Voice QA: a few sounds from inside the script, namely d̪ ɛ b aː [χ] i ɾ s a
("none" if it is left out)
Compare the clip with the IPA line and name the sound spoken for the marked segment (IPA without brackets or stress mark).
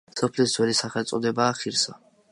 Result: χ